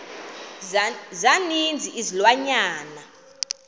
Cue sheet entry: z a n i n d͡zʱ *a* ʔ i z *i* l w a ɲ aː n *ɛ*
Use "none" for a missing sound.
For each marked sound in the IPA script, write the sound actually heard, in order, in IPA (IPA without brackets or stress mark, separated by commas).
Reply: i, i, a